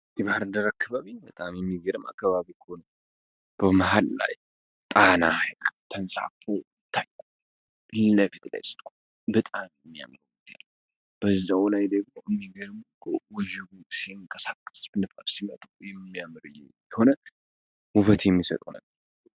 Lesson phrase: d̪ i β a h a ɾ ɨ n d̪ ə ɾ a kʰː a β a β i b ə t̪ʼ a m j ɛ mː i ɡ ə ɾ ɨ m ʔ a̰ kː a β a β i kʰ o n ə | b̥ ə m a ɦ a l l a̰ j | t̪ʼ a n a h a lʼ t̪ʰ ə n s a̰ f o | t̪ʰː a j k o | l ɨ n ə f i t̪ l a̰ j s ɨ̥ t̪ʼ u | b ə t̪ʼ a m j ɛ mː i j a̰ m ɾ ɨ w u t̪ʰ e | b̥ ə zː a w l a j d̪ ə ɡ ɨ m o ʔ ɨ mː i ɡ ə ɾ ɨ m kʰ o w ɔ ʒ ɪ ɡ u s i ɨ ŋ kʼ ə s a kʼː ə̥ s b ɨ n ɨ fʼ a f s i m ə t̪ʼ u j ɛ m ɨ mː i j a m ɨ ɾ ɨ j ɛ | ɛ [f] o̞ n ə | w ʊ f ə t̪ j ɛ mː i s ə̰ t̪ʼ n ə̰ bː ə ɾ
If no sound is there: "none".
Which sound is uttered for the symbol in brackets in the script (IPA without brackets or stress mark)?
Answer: h